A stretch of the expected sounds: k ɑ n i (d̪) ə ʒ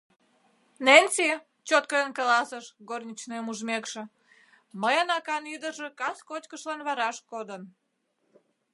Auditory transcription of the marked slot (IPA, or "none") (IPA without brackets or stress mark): d̪